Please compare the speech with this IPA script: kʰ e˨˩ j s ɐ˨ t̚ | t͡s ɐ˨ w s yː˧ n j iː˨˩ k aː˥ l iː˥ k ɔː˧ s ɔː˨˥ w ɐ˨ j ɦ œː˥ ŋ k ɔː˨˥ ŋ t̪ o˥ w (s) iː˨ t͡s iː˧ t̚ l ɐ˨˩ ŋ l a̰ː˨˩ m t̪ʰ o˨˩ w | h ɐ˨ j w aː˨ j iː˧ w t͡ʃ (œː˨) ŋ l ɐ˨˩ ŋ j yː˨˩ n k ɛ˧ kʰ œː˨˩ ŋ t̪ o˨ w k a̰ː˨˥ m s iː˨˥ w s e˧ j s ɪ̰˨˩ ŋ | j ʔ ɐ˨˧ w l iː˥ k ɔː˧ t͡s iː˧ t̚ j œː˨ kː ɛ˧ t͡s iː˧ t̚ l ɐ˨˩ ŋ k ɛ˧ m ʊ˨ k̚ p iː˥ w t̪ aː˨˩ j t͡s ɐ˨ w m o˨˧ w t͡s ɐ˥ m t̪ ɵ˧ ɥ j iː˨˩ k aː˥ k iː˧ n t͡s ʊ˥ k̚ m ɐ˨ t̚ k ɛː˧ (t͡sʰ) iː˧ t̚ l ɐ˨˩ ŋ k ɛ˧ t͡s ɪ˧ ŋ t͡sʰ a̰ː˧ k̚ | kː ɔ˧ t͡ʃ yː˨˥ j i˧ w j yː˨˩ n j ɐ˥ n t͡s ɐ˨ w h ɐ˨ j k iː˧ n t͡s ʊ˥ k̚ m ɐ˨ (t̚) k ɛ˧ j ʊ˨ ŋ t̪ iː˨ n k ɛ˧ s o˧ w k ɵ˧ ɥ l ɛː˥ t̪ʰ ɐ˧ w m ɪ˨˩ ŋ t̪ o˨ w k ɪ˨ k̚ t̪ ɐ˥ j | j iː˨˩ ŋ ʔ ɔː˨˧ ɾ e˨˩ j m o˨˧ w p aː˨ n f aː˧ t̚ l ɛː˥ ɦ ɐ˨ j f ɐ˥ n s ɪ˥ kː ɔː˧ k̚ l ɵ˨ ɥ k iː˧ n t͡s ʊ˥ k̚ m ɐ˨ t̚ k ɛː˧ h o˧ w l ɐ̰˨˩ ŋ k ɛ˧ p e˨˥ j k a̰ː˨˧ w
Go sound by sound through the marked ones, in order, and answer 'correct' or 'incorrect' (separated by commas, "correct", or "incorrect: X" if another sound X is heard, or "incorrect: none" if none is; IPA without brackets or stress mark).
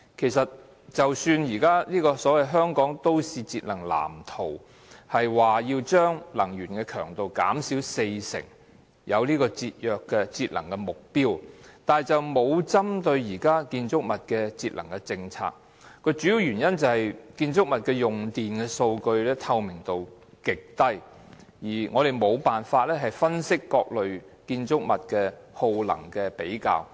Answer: correct, incorrect: œː˥, incorrect: t͡s, correct